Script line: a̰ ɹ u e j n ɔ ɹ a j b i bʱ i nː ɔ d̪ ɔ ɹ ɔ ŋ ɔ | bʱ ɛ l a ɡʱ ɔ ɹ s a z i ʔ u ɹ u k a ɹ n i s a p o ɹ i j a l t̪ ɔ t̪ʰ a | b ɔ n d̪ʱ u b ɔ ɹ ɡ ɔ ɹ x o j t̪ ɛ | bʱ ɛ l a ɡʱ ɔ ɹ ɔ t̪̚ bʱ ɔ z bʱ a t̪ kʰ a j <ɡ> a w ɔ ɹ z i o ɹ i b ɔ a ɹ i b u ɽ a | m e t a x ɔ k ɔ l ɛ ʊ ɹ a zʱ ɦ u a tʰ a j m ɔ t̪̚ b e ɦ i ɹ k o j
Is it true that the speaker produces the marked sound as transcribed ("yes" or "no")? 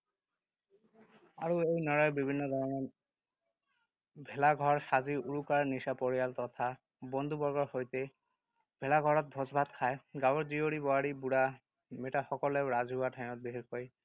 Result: yes